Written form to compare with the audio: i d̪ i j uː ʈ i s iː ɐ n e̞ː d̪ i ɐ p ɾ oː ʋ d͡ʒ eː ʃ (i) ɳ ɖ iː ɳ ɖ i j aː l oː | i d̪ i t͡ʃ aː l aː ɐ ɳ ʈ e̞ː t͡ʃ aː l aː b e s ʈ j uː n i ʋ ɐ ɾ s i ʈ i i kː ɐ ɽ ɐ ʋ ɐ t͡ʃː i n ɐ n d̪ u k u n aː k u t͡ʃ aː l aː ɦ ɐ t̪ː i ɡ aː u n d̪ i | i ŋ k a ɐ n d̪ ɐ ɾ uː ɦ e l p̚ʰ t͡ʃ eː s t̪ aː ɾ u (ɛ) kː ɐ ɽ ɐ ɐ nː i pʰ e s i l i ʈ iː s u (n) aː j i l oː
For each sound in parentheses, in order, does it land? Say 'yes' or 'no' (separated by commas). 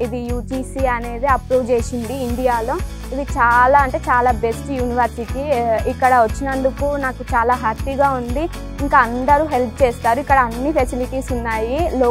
yes, no, no